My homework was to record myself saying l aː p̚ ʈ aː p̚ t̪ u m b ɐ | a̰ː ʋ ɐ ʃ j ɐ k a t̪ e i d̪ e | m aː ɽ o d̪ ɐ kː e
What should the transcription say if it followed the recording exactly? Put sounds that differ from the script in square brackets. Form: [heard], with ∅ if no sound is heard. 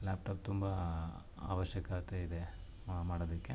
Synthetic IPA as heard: l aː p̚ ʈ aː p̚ t̪ u m b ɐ | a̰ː ʋ ɐ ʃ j ɐ k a t̪ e i d̪ e | m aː ɽ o d̪ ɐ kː e